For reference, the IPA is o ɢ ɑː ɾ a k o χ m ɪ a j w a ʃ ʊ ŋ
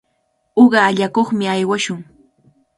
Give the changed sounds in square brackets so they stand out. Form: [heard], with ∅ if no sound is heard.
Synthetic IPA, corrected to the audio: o ɢ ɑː [ʎ] a k o χ m ɪ a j w a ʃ ʊ ŋ